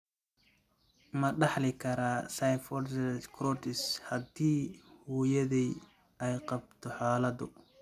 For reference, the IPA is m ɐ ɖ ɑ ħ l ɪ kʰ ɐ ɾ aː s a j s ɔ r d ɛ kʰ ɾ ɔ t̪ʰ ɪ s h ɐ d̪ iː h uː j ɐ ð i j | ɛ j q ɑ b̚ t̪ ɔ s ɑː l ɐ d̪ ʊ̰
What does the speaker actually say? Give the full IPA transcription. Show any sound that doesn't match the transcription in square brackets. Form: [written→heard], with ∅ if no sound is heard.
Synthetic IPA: m ɐ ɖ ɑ ħ l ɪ kʰ ɐ ɾ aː s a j [s→f] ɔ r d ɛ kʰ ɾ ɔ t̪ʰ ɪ s h ɐ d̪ iː h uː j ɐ ð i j | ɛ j q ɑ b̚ [t̪→t̪ʰ] ɔ [s→ħ] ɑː l ɐ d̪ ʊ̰